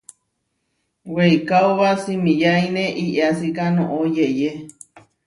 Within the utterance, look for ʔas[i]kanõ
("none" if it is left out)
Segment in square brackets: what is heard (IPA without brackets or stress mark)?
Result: i